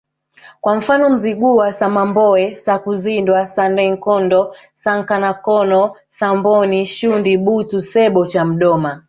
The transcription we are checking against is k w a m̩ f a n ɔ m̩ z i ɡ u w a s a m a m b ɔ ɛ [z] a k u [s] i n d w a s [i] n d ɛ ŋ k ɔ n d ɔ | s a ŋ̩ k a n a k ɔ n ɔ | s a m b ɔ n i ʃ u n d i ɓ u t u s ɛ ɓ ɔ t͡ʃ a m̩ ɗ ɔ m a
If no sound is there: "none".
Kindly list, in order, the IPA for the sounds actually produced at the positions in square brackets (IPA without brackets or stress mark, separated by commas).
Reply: s, z, a